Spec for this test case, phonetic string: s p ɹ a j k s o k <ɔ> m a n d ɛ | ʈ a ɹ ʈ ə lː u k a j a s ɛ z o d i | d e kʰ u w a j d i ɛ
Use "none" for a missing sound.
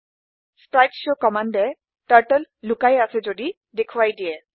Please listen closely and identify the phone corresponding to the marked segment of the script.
ɔ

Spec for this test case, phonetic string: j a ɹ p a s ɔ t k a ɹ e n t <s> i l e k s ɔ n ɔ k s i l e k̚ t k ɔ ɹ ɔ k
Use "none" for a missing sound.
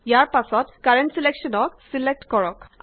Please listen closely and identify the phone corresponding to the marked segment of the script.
s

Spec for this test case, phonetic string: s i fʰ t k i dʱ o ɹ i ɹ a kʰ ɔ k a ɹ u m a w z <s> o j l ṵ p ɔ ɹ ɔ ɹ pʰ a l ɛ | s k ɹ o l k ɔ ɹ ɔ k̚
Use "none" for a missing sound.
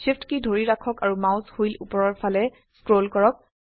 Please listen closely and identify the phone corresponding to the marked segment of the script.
h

